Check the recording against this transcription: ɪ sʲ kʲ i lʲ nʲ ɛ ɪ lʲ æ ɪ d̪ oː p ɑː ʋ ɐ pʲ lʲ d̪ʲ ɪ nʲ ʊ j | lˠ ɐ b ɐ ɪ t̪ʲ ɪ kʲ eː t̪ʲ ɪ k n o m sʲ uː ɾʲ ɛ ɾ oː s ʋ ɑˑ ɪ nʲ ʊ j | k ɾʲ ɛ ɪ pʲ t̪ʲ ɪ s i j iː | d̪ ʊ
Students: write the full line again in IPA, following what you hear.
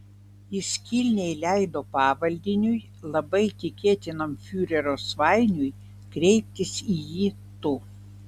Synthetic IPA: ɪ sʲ kʲ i lʲ nʲ ɛ ɪ lʲ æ ɪ d̪ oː p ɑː ʋ ɐ lʲ d̪ʲ ɪ nʲ ʊ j | lˠ ɐ b ɐ ɪ t̪ʲ ɪ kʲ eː t̪ʲ ɪ n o m fʲ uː ɾʲ ɛ ɾ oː s ʋ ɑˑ ɪ nʲ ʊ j | k ɾʲ ɛ ɪ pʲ t̪ʲ ɪ s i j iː | t̪ ʊ

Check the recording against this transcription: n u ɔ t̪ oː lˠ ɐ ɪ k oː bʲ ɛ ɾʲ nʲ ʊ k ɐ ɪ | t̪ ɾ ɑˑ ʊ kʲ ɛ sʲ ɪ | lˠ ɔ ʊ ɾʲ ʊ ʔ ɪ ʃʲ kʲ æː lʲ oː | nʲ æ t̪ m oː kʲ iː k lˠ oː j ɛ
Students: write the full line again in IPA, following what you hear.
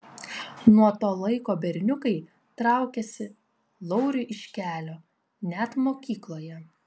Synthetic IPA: n u ɔ t̪ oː lˠ ɐ ɪ k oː bʲ ɛ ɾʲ nʲ ʊ k ɐ ɪ | t̪ ɾ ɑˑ ʊ kʲ ɛ sʲ ɪ | lˠ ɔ ʊ ɾʲ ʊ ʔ ɪ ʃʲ kʲ æː lʲ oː | nʲ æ t̪ m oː kʲ iː k lˠ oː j ɛ

